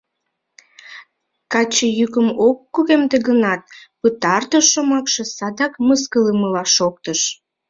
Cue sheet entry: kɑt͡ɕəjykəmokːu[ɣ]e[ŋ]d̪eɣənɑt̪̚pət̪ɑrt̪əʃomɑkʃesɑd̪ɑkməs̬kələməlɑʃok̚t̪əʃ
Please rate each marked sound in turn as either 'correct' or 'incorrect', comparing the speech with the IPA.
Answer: correct, incorrect: m

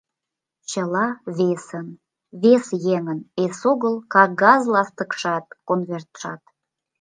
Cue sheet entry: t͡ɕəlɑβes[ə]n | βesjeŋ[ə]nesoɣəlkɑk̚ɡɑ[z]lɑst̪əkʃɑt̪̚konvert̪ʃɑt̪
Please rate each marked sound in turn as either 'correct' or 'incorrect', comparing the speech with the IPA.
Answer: correct, correct, correct

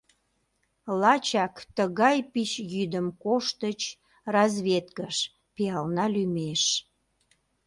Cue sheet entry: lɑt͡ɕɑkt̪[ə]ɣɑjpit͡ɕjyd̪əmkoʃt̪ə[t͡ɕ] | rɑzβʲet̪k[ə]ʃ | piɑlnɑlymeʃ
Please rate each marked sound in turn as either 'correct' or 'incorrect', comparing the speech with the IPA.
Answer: correct, correct, correct

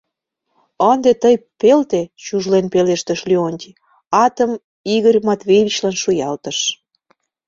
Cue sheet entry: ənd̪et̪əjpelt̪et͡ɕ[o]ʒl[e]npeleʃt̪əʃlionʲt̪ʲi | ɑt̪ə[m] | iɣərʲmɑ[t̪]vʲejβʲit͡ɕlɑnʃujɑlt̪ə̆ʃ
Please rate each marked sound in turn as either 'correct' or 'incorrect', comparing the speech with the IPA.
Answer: incorrect: u, correct, correct, correct

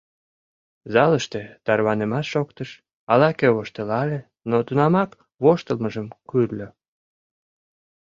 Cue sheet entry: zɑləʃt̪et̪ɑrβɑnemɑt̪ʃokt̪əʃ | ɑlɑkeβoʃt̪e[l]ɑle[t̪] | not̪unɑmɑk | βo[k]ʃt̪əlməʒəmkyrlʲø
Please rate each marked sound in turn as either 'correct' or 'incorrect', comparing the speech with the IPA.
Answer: correct, incorrect: none, incorrect: none

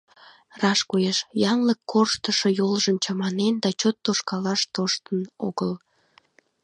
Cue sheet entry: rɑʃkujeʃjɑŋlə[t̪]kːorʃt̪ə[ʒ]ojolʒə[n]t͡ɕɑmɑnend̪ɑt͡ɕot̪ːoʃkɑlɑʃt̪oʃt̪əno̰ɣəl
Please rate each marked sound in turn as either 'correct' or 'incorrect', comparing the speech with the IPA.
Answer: incorrect: none, incorrect: ʃ, incorrect: m

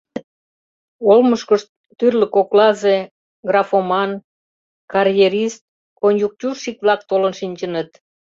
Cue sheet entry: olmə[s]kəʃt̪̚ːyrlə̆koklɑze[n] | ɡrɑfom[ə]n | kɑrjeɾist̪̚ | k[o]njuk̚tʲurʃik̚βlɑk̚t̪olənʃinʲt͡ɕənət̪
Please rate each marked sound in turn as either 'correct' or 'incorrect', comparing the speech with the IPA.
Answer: incorrect: ʃ, incorrect: none, incorrect: ɑ, correct

